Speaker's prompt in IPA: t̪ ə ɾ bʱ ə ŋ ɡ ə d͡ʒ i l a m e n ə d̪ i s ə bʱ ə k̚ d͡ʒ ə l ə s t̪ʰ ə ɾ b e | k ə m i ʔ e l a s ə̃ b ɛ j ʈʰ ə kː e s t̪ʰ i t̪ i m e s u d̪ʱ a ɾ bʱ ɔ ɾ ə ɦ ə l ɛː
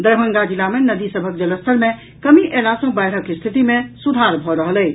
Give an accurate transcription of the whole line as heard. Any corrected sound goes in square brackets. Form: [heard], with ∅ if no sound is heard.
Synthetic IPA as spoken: [d̪] ə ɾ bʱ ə ŋ ɡ [a] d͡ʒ i l a m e n ə d̪ i s ə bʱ ə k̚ d͡ʒ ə l ə s t̪ʰ ə ɾ [m] e | k ə m i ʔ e l a s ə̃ b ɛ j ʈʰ ə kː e s t̪ʰ i t̪ i m e s u d̪ʱ a ɾ bʱ ɔ ɾ ə ɦ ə l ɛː

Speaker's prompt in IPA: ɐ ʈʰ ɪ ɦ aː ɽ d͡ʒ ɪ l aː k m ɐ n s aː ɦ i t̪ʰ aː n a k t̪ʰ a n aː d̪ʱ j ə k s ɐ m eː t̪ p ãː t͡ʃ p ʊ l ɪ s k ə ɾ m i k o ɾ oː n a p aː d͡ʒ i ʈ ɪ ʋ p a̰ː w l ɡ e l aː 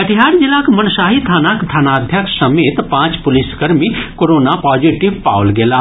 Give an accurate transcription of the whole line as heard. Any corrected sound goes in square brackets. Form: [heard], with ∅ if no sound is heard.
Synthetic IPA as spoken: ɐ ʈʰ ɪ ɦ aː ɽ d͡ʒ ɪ l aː k m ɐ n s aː ɦ i t̪ʰ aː n a k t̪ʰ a n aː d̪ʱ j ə k s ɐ m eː t̪ p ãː t͡ʃ p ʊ l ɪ s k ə ɾ m i k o ɾ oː n a p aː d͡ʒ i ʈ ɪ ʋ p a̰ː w l ɡ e l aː

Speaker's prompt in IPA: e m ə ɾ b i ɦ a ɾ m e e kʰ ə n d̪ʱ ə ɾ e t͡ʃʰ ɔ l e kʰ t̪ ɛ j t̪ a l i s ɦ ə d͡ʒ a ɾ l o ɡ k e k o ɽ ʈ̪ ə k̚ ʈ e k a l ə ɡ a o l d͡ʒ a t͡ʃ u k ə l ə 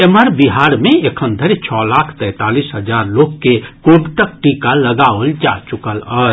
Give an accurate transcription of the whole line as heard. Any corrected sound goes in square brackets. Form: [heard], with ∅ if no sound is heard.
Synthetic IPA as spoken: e m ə ɾ b i ɦ a ɾ m e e kʰ ə n d̪ʱ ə ɾ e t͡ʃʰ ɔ l [a] kʰ t̪ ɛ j t̪ a l i s ɦ ə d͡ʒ a ɾ l o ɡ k e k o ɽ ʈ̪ ə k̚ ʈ [i] k a l ə ɡ a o l d͡ʒ a t͡ʃ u k ə l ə

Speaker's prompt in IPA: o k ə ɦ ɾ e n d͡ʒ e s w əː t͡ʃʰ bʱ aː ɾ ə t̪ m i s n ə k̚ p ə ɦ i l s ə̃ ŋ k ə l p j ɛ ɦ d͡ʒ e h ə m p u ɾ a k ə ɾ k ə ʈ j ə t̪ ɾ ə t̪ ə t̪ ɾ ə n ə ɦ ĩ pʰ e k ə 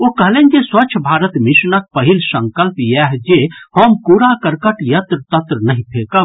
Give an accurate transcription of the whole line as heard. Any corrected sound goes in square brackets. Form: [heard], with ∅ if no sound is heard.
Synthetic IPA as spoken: o k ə ɦ [l] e n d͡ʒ e s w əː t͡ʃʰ bʱ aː ɾ ə t̪ m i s n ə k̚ p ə ɦ i l s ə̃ ŋ k ə l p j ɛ ɦ d͡ʒ e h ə m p u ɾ a k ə ɾ k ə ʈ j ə t̪ ɾ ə t̪ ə t̪ ɾ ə n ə ɦ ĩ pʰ e k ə

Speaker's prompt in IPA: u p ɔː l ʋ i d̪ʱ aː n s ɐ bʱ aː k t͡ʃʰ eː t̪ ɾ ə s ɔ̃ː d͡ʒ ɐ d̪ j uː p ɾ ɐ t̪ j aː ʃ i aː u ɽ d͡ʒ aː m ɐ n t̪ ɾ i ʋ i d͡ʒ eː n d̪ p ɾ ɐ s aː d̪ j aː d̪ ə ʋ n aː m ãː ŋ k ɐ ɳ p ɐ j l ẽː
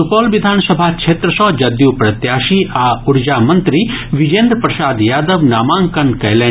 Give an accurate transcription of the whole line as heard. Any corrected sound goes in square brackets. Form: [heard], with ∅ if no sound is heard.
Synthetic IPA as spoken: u p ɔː l ʋ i d̪ʱ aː n s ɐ bʱ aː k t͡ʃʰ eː t̪ ɾ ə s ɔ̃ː d͡ʒ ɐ d̪ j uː p ɾ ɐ t̪ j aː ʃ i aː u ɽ d͡ʒ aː m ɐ n t̪ ɾ i ʋ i d͡ʒ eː n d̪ p ɾ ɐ s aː d̪ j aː d̪ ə ʋ n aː m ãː ŋ k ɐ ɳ [k] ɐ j l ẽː

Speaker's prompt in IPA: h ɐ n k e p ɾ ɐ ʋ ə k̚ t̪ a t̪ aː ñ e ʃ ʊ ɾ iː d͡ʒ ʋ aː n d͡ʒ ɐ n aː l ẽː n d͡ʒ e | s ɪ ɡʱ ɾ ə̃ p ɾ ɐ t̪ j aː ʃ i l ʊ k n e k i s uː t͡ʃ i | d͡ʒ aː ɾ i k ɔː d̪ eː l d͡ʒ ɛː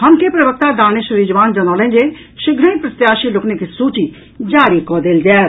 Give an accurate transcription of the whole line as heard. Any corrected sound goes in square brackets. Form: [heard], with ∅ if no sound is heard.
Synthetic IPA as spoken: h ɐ [m] k e p ɾ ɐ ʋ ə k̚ t̪ a [d̪] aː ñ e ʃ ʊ ɾ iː d͡ʒ ʋ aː n d͡ʒ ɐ n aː l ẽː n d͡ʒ e | [ʃ] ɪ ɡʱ ɾ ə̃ p ɾ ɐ t̪ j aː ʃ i l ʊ k n e k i s uː t͡ʃ i | d͡ʒ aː ɾ i k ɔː d̪ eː l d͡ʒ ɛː

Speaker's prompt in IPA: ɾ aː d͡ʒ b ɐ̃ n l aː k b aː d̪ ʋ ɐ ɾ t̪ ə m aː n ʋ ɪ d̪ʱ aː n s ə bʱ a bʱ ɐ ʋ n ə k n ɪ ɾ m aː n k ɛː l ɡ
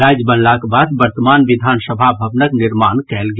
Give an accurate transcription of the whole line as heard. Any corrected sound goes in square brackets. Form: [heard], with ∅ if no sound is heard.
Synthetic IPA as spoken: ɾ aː d͡ʒ b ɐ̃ n l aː k b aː d̪ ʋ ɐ ɾ t̪ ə m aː n ʋ ɪ d̪ʱ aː n s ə bʱ a bʱ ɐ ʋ n ə k n ɪ ɾ m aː n k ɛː l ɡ

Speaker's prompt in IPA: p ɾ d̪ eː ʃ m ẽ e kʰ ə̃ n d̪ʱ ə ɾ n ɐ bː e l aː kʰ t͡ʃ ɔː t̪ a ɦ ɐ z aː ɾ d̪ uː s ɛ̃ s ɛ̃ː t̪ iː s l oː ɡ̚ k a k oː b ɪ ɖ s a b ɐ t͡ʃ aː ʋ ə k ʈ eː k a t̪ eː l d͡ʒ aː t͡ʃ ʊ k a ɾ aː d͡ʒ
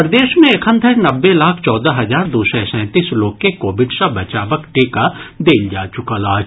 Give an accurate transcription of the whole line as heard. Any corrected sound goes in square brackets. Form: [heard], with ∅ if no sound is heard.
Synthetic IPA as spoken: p ɾ d̪ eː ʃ m ẽ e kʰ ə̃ n d̪ʱ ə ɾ n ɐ bː e l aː kʰ t͡ʃ ɔː [d̪] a ɦ ɐ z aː ɾ d̪ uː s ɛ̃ s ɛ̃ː t̪ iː s l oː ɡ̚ k [e] k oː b ɪ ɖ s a b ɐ t͡ʃ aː ʋ ə k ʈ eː k a [d̪] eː l d͡ʒ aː t͡ʃ ʊ k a [l] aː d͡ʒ

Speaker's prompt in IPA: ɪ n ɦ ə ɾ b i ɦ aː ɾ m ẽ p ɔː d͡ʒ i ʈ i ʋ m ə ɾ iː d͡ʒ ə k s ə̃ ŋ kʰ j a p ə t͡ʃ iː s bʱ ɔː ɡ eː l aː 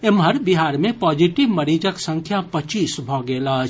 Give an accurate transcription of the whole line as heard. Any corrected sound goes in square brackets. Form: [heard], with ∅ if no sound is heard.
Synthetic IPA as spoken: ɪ [m] ɦ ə ɾ b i ɦ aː ɾ m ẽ p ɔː d͡ʒ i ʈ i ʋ m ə ɾ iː d͡ʒ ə k s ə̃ ŋ kʰ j a p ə t͡ʃ iː s bʱ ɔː ɡ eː l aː

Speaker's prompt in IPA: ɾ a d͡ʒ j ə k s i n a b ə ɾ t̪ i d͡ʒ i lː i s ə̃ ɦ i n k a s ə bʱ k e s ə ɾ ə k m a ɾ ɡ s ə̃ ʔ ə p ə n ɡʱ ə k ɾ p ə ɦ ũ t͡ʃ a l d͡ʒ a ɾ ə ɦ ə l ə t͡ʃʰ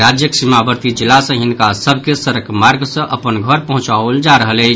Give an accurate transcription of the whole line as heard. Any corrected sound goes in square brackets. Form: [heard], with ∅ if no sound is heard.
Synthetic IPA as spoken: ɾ a d͡ʒ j ə k s i [m] a b ə ɾ t̪ i d͡ʒ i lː [a] s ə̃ ɦ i n k a s ə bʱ k e s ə ɾ ə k m a ɾ ɡ s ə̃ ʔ ə p ə n ɡʱ ə [∅] ɾ p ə ɦ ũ t͡ʃ a l d͡ʒ a ɾ ə ɦ ə l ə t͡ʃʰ

